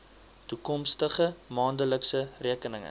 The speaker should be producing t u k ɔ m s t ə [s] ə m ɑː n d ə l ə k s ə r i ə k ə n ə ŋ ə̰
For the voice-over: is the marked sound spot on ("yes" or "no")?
no